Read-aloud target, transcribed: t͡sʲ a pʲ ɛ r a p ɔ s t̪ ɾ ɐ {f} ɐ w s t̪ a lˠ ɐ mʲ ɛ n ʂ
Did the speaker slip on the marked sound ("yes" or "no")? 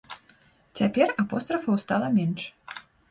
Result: no